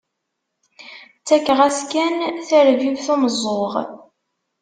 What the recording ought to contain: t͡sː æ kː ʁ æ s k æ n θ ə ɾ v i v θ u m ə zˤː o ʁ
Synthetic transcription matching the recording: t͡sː æ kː ʁ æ s k æ n θ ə ɾ v i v θ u m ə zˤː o ʁ